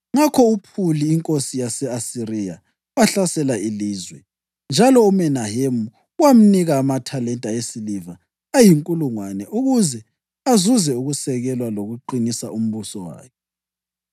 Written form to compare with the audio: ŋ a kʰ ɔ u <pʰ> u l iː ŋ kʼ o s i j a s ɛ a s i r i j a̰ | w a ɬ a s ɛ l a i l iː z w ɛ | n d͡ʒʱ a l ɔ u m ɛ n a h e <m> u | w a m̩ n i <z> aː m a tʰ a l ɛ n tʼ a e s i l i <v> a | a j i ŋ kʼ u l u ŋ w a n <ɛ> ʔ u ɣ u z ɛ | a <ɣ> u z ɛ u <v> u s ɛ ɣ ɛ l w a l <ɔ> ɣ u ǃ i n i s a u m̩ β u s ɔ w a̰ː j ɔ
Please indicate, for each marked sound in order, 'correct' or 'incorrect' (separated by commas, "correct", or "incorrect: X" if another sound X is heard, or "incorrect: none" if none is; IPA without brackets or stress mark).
correct, correct, incorrect: ɣ, correct, correct, incorrect: z, incorrect: ɣ, incorrect: o